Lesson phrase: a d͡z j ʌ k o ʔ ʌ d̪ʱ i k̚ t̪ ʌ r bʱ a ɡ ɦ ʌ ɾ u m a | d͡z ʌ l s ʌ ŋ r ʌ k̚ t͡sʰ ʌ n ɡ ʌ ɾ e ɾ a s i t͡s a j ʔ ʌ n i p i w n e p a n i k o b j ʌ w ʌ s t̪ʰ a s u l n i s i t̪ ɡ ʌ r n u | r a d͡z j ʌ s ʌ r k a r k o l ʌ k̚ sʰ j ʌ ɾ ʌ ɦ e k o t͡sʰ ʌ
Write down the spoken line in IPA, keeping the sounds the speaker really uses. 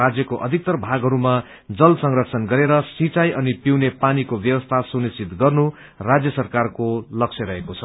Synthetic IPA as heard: a d͡z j ʌ k o ʔ ʌ d̪ʱ i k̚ t̪ ʌ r bʱ a ɡ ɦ ʌ ɾ u m a | d͡z ʌ l s ʌ ŋ r ʌ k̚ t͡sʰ ʌ n ɡ ʌ ɾ e ɾ ʌ s i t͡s a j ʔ ʌ n i p i w n e p a n i k o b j ʌ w ʌ s t̪ʰ a s u n i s i t̪ ɡ ʌ r n u | r a d͡z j ʌ s ʌ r k a r k o l ʌ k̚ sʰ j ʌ ɾ ʌ ɦ e k o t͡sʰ ʌ

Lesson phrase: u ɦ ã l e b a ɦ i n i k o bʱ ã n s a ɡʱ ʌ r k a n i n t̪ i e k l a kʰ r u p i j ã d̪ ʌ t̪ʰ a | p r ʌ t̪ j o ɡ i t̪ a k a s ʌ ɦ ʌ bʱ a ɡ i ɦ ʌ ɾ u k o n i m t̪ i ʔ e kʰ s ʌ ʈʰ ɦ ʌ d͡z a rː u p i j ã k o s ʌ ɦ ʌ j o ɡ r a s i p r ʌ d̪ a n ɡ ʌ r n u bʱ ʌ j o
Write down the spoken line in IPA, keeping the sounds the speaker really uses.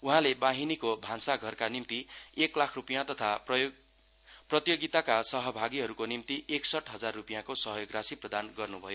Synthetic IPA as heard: u ɦ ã l e b a ɦ i n i k o bʱ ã n s a ɡʱ ʌ r k a n i m t̪ i e k l a kʰ r u p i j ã t̪ ʌ t̪ʰ a | p r ʌ t̪ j o ɡ i t̪ a k a s ʌ ɦ ʌ bʱ a ɡ i ɦ ʌ ɾ u k o n i m t̪ i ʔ e k s ʌ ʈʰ ɦ ʌ d͡z a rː u p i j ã k o s ʌ ɦ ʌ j o ɡ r a s i p r ʌ d̪ a n ɡ ʌ r n u bʱ ʌ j o

